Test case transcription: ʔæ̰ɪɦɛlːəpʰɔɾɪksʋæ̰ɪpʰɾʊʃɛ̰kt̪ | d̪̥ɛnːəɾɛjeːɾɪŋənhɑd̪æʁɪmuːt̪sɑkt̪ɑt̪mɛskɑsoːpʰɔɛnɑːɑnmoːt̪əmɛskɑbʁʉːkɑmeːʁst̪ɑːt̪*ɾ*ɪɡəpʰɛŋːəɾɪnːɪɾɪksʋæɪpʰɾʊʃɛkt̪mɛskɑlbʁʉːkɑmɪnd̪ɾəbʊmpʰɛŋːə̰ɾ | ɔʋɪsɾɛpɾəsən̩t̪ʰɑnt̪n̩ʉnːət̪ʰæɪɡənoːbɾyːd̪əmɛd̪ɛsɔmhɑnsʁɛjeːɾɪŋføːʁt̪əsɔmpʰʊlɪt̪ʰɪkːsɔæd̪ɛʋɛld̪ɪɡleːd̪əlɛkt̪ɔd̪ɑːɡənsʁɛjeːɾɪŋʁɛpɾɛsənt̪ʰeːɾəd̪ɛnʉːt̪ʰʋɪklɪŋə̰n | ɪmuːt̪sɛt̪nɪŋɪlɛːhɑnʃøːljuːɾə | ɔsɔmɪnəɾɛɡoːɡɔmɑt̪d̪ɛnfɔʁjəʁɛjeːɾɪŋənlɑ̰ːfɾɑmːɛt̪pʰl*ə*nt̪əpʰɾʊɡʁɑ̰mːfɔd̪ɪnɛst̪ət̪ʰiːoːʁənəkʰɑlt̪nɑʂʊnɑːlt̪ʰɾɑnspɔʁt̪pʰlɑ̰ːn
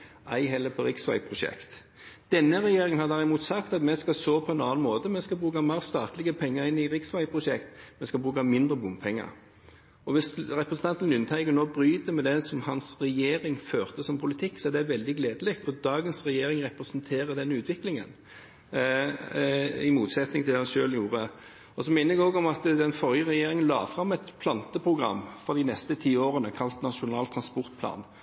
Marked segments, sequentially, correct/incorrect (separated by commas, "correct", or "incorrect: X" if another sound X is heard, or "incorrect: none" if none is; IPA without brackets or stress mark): incorrect: l, incorrect: ɑ